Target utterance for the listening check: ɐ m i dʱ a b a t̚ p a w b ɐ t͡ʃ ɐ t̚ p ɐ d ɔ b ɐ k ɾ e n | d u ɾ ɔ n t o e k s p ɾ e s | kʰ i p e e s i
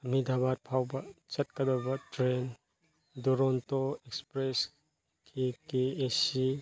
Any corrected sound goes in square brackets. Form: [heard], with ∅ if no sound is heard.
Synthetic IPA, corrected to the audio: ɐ m i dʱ a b a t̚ [pʰ] a w b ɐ t͡ʃ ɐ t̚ [k] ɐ d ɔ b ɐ [t] ɾ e n | d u ɾ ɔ n t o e k s p ɾ e s | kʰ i [k] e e s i

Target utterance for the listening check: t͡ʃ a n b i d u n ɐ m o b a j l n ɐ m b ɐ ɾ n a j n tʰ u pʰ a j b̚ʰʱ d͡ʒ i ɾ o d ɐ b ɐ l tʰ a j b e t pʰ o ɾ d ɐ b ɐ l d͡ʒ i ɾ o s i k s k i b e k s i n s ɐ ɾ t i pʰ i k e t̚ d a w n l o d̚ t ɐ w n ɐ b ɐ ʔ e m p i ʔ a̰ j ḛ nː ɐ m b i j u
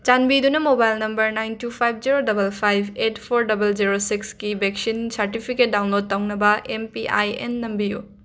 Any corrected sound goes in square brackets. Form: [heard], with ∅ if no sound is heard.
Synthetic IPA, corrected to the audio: t͡ʃ a n b i d u n ɐ m o b a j l n ɐ m b ɐ ɾ n a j n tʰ u pʰ a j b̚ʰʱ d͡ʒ i ɾ o d ɐ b ɐ l [pʰ] a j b e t pʰ o ɾ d ɐ b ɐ l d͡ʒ i ɾ o s i k s k i b e k s i n s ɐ ɾ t i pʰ i k e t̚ d a w n l o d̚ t ɐ w n ɐ b ɐ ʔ e m p i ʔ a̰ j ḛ nː ɐ m b i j u

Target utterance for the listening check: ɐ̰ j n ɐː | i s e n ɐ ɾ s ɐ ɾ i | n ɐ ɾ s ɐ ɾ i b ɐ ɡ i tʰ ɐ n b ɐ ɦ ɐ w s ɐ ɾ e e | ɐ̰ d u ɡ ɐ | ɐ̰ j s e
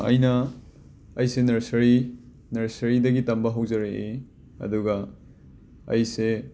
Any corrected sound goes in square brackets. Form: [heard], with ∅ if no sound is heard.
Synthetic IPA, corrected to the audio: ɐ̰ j n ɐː | [j] s e n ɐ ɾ s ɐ ɾ i | n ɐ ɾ s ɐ ɾ i [d] ɐ ɡ i [t] ɐ [m] b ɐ ɦ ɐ w [z] ɐ ɾ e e | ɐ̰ d u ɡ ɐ | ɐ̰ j s e

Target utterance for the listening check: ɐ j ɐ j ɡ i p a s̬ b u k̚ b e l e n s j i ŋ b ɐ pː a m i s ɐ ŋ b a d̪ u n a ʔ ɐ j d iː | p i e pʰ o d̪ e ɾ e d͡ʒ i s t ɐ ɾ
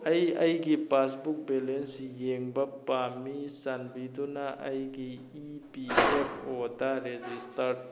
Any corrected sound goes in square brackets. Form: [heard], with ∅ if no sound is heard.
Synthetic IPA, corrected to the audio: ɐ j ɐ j ɡ i p a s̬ b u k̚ b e l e n s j [e] ŋ b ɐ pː a m i s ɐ [n] b [i] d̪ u n a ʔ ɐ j [ɡ] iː | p i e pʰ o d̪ [a] ɾ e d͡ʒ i s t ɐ ɾ

